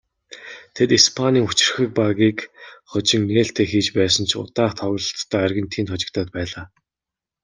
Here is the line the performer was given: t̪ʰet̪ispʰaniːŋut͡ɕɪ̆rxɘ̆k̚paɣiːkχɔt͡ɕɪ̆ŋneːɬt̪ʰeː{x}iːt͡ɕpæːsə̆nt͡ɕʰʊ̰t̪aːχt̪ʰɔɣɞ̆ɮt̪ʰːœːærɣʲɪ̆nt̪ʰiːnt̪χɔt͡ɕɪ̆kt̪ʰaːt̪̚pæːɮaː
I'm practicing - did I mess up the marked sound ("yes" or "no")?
no